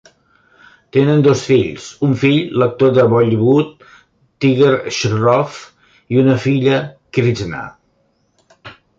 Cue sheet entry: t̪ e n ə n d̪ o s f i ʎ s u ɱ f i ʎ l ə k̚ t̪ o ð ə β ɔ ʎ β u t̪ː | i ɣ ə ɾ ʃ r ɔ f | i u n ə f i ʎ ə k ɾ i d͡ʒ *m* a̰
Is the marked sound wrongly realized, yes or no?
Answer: yes